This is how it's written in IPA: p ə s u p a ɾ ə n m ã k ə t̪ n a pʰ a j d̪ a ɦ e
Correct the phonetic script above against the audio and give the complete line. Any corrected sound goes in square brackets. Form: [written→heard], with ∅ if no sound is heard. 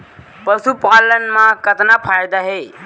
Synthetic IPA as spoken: p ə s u p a [ɾ→l] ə n m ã k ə t̪ n a pʰ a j d̪ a ɦ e